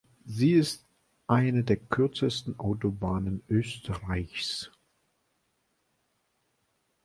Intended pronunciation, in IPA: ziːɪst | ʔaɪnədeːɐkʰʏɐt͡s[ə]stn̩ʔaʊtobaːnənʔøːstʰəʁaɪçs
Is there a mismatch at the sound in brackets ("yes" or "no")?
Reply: no